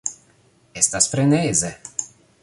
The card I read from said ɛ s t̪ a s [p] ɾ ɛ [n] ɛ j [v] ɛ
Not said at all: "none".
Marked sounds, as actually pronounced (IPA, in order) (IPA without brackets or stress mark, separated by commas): p, n, z